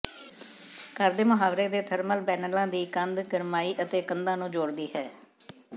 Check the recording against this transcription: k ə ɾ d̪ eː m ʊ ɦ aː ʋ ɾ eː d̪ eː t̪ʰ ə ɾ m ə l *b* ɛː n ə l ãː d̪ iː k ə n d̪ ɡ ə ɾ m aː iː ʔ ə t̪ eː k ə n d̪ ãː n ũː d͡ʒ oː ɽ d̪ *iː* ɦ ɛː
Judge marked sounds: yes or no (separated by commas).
yes, yes